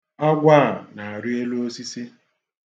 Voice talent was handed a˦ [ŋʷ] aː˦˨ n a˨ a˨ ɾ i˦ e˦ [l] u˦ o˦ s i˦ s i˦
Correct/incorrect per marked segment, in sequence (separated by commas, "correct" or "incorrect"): incorrect, correct